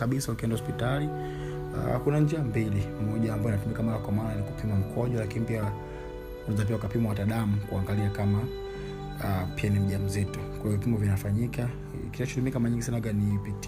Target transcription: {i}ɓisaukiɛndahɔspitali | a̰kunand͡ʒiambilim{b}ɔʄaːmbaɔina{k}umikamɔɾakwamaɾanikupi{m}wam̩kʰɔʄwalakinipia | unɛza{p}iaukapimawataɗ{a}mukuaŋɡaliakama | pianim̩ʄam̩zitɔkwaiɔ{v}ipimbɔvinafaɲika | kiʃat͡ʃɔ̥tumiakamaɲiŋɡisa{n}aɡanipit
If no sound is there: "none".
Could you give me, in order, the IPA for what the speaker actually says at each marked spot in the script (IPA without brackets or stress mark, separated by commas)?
a, m, t, m, p, a, v, n